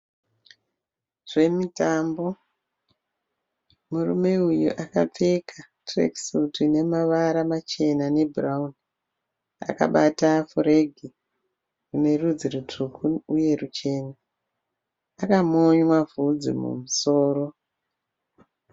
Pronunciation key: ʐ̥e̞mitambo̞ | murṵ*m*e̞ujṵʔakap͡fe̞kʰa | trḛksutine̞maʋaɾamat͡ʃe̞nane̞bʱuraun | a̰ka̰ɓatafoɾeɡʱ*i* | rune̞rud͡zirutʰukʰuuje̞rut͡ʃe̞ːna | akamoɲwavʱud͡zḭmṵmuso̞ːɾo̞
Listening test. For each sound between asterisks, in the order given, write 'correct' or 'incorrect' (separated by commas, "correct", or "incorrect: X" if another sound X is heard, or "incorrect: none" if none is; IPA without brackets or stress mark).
correct, correct